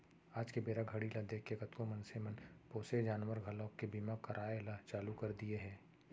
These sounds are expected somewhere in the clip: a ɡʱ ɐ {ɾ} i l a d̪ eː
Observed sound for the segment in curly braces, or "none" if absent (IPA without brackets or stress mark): ɽ